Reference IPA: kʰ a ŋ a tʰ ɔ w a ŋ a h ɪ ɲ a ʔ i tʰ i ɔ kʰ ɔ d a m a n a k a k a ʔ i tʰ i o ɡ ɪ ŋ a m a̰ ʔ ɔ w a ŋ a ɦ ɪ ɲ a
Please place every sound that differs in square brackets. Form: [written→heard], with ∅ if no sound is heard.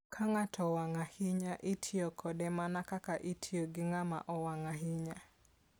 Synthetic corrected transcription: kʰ a ŋ a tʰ ɔ w a ŋ a h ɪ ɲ a ʔ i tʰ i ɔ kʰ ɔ d [a→ɛ] m a n a k a k a ʔ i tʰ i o ɡ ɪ ŋ a m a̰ ʔ ɔ w a ŋ a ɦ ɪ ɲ a